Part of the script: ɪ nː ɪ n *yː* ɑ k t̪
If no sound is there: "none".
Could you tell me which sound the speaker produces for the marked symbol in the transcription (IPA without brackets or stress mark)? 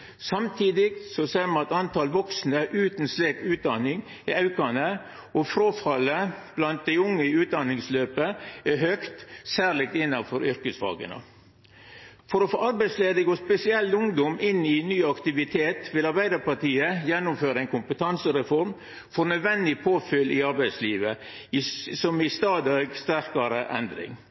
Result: yː